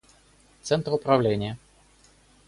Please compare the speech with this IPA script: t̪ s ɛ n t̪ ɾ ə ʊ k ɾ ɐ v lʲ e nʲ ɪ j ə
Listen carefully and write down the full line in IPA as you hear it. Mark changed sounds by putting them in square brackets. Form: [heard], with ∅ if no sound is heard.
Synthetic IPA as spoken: t̪ s ɛ n t̪ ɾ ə ʊ [p] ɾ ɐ v lʲ e nʲ ɪ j ə

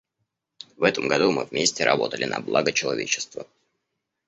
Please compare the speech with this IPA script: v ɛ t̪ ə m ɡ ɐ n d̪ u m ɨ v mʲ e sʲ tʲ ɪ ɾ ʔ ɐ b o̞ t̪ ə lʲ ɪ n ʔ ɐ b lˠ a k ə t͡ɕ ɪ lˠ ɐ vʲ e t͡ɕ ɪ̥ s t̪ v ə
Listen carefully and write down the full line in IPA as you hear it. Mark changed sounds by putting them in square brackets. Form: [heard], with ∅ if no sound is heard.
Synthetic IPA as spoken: v ɛ t̪ ə m ɡ ɐ [∅] d̪ u m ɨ v mʲ e sʲ tʲ ɪ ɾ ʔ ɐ b o̞ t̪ ə lʲ ɪ n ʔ ɐ b lˠ a [ɡ] ə t͡ɕ ɪ lˠ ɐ vʲ e t͡ɕ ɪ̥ s t̪ v ə

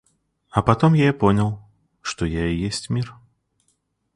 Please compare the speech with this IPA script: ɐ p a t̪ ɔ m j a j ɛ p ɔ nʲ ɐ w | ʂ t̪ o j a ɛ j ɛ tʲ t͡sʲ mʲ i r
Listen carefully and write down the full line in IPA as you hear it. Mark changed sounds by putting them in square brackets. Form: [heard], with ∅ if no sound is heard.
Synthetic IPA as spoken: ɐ p a t̪ ɔ m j a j ɛ p ɔ nʲ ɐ w | ʂ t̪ [ɔ] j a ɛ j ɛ [sʲ] t͡sʲ mʲ i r

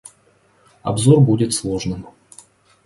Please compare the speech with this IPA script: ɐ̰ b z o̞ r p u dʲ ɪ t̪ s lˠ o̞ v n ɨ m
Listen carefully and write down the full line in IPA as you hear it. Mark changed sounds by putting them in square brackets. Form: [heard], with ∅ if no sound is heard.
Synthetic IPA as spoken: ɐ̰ b z o̞ r [b] u dʲ ɪ t̪ s lˠ o̞ [ʐ] n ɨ m

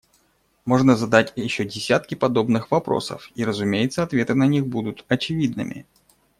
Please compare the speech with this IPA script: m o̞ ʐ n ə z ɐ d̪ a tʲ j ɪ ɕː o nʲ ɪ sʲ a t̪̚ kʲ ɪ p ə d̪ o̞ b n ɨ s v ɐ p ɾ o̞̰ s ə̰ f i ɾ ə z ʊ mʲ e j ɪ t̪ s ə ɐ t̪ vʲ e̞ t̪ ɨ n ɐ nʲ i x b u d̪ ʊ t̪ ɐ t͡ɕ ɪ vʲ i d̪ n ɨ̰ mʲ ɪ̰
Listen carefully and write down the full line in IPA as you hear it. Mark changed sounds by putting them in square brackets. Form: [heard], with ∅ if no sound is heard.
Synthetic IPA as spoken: m o̞ ʐ n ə z ɐ d̪ a tʲ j ɪ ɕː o [dʲ] ɪ sʲ a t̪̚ kʲ ɪ p [ɐ] d̪ o̞ b n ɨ [x] v ɐ p ɾ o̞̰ s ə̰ f i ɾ ə z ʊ mʲ e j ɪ t̪ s ə ɐ t̪ vʲ e̞ t̪ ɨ n ɐ nʲ i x b u d̪ ʊ t̪ ɐ t͡ɕ ɪ vʲ i d̪ n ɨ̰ mʲ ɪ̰

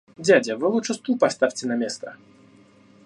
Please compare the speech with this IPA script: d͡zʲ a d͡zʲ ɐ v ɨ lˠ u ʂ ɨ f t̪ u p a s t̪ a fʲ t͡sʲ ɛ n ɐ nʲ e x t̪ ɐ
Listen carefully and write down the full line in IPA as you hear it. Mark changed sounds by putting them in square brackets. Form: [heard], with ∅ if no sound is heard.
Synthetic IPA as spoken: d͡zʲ a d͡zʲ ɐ v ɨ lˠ u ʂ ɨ [s] t̪ u p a s t̪ a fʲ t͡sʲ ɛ n ɐ [mʲ] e [s] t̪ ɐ

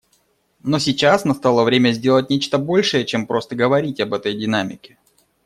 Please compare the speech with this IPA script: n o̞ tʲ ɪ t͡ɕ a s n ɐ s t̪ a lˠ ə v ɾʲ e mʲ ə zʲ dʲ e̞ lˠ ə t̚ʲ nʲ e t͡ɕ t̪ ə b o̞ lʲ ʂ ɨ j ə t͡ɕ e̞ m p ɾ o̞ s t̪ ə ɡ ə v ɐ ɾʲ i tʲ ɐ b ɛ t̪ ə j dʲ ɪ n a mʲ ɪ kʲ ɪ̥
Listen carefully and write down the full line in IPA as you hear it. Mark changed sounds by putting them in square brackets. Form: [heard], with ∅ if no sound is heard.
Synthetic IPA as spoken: n o̞ [sʲ] ɪ t͡ɕ a s n ɐ s t̪ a lˠ ə v ɾʲ e mʲ ə zʲ dʲ e̞ lˠ ə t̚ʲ nʲ e t͡ɕ t̪ ə b o̞ lʲ ʂ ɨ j ə t͡ɕ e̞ m p ɾ o̞ s t̪ ə ɡ ə v ɐ ɾʲ i tʲ ɐ b ɛ t̪ ə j dʲ ɪ n a mʲ ɪ kʲ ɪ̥

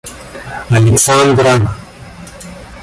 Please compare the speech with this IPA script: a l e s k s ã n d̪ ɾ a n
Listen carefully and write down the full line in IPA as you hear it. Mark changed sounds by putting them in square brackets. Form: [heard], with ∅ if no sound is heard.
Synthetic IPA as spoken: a l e [∅] k s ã n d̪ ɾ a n

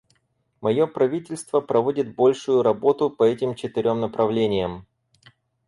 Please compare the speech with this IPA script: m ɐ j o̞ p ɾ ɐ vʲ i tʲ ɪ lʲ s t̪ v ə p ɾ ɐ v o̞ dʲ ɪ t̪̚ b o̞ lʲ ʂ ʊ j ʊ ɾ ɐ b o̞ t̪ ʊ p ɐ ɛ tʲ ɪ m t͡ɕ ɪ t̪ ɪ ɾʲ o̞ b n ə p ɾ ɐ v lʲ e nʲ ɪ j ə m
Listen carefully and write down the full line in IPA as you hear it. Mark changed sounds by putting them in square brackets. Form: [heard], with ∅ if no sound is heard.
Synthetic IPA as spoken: m ɐ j o̞ p ɾ ɐ vʲ i tʲ ɪ lʲ s t̪ v ə p ɾ ɐ v o̞ dʲ ɪ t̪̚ b o̞ lʲ ʂ ʊ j ʊ ɾ ɐ b o̞ t̪ ʊ p ɐ ɛ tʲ ɪ m t͡ɕ ɪ t̪ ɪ ɾʲ o̞ [m] n ə p ɾ ɐ v lʲ e nʲ ɪ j ə m

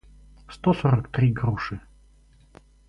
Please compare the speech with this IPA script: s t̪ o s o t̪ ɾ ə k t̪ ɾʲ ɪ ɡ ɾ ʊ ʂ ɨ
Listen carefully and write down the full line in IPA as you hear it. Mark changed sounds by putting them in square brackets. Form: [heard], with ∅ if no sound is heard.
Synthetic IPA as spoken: s t̪ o s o [∅] ɾ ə k t̪ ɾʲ [i] ɡ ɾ [u] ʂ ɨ

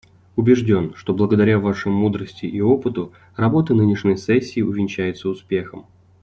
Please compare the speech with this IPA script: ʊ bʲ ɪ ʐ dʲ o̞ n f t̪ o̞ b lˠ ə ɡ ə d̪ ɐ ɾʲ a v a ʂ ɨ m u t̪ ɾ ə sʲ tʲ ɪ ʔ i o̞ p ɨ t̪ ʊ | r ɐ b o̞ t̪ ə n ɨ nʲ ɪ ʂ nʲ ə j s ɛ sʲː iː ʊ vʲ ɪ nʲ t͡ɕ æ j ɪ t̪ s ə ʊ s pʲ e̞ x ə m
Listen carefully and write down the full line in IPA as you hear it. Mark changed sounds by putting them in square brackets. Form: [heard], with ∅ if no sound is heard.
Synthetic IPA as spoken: ʊ bʲ ɪ ʐ dʲ o̞ n [ʂ] t̪ o̞ b lˠ ə ɡ ə d̪ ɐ ɾʲ a v a ʂ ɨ m u [d̪] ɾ ə sʲ tʲ ɪ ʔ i o̞ p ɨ t̪ ʊ | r ɐ b o̞ t̪ ə n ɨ nʲ ɪ ʂ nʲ ə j s ɛ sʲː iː ʊ vʲ ɪ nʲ t͡ɕ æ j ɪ t̪ s ə ʊ s pʲ e̞ x ə m

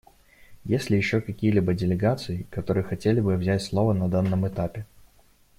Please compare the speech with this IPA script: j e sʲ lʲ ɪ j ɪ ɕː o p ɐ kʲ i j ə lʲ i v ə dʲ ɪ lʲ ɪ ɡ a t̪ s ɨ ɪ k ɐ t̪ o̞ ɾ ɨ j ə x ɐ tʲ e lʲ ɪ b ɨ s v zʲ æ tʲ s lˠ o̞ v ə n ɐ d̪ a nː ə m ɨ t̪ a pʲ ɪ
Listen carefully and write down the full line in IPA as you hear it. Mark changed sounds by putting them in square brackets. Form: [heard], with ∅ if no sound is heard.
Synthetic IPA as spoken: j e sʲ lʲ ɪ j ɪ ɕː o [k] ɐ kʲ i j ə lʲ i [b] ə dʲ ɪ lʲ ɪ ɡ a t̪ s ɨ ɪ k ɐ t̪ o̞ ɾ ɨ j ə x ɐ tʲ e lʲ ɪ b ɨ [∅] v zʲ æ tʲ s lˠ o̞ v ə n ɐ d̪ a nː ə m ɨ t̪ a pʲ ɪ

